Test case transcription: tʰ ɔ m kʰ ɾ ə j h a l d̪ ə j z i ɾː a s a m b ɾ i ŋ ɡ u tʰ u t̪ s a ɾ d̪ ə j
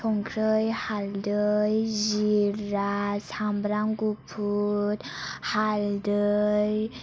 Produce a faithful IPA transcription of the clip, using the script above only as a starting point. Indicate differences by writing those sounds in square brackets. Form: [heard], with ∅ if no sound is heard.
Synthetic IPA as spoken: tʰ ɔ [ŋ] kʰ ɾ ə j h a l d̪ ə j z i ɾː a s a m b ɾ [a] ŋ ɡ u [pʰ] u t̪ [h] a [l] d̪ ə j